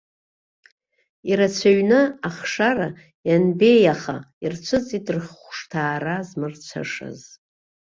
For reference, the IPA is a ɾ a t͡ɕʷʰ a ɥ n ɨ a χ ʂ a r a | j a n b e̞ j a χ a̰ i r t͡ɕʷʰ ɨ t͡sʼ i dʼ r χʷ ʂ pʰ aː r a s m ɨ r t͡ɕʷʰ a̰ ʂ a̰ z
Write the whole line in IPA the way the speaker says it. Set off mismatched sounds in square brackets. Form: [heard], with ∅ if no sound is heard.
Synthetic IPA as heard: [i] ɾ a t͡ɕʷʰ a ɥ n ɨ a χ ʂ a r a | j a n b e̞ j a χ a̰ i r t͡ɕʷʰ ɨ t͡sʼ i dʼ r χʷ ʂ [tʰ] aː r a [z] m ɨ r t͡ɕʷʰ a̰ ʂ a̰ z